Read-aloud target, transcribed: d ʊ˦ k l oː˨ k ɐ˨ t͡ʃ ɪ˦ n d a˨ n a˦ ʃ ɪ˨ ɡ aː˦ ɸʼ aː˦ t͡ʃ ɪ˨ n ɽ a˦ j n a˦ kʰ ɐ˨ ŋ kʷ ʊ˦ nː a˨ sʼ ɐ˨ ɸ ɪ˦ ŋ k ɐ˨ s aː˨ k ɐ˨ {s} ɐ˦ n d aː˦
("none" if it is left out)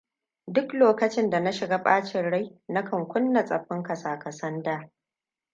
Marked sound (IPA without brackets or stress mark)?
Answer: s